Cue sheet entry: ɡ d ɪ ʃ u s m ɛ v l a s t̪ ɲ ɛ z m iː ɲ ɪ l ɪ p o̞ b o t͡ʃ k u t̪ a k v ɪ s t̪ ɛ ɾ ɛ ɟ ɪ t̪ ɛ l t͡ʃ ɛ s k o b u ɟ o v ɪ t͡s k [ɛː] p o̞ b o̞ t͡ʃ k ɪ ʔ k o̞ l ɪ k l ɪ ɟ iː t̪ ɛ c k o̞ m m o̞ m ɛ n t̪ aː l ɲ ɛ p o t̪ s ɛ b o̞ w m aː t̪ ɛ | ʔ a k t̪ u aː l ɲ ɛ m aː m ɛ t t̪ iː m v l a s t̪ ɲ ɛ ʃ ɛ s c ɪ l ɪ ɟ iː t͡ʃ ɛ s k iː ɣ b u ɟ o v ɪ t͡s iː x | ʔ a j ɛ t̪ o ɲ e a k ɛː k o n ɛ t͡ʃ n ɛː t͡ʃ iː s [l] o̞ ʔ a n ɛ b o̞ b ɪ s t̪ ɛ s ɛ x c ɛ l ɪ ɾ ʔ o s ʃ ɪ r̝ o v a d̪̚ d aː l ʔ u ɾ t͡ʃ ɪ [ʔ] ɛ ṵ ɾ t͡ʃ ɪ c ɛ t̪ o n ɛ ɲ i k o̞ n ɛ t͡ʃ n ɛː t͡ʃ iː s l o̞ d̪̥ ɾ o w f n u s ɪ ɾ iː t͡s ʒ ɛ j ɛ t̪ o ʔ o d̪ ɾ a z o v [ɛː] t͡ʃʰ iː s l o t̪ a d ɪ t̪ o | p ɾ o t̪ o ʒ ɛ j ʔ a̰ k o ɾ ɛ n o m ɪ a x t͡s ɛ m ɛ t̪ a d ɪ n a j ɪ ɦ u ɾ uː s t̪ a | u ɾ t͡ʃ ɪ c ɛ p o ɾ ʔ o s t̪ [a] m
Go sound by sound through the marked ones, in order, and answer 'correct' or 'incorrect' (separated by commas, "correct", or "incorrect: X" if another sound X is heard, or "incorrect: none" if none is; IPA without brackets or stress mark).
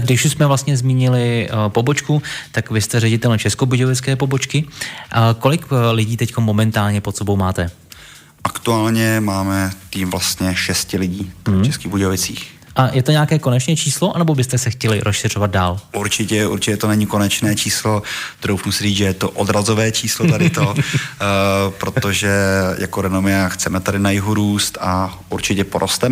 correct, correct, incorrect: c, correct, incorrect: ɛ